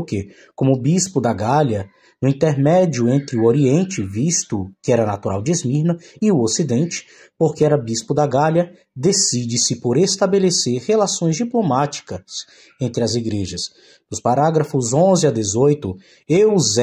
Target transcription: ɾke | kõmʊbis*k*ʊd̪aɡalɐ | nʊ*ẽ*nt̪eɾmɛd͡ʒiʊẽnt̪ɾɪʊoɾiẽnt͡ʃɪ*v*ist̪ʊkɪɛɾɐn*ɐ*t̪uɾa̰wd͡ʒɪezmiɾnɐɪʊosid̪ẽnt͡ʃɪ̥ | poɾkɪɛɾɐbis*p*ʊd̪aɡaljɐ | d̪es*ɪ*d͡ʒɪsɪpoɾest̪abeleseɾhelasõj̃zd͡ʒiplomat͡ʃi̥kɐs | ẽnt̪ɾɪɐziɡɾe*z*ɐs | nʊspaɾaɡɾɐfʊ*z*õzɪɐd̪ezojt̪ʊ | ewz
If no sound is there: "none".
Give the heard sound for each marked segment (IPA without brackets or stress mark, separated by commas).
p, ĩ, v, a, p, i, ʒ, z